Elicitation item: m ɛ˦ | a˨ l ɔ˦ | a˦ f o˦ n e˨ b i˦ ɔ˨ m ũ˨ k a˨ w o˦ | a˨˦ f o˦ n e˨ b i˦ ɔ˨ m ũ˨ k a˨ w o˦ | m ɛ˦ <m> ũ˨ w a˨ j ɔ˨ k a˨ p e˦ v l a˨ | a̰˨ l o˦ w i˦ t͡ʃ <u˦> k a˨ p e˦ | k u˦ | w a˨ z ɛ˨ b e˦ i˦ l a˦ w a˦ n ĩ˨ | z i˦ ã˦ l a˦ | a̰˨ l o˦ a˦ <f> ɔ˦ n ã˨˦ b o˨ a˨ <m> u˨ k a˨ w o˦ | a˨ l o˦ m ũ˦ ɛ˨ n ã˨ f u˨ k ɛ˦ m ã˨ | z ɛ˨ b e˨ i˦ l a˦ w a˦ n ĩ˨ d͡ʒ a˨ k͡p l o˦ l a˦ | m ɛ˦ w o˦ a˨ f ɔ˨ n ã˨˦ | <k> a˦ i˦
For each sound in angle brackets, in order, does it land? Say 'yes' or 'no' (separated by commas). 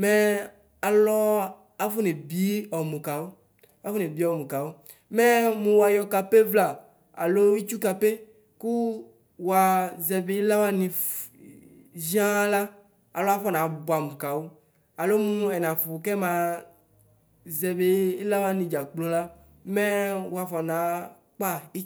yes, yes, yes, yes, no